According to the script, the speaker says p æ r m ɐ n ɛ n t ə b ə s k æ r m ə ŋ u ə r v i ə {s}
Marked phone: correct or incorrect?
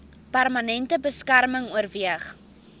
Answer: incorrect: χ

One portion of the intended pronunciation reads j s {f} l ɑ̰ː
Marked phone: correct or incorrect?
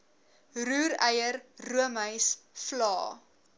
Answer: correct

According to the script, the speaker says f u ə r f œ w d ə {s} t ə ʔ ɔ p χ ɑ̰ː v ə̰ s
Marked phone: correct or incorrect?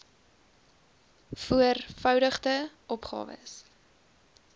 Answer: incorrect: χ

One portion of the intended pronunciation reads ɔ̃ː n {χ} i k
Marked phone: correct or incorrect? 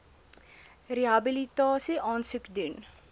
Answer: incorrect: s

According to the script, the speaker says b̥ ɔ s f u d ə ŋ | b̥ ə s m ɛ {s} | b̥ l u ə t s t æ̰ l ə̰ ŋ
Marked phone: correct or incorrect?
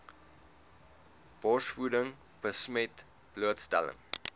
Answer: incorrect: t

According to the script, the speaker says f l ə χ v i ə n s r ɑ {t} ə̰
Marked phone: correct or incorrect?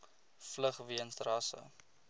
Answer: incorrect: s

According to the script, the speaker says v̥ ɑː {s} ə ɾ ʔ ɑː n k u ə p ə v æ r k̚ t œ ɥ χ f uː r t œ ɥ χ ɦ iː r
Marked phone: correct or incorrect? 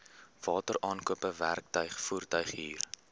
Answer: incorrect: t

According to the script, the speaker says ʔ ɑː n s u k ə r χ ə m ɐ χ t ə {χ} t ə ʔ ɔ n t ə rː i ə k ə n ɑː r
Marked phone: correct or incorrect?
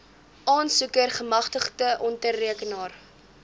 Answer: correct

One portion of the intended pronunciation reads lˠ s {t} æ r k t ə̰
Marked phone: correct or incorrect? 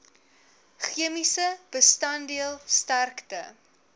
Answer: correct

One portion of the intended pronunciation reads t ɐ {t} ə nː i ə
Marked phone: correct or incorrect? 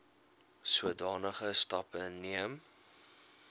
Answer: incorrect: p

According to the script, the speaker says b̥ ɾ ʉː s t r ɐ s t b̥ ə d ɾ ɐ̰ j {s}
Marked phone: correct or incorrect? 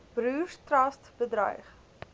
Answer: incorrect: χ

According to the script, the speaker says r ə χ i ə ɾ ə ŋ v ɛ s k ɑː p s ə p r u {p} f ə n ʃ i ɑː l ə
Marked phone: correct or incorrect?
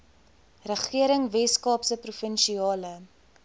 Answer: incorrect: none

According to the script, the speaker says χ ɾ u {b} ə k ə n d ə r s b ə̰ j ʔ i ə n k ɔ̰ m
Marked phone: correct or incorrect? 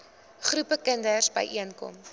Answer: incorrect: p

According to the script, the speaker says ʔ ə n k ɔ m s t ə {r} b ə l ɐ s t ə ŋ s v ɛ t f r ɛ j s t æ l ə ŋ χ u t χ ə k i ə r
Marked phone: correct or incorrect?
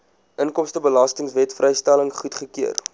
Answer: incorrect: none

